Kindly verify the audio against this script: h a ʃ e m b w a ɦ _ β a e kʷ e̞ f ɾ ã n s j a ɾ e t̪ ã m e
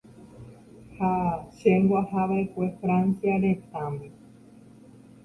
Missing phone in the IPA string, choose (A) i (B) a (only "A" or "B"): B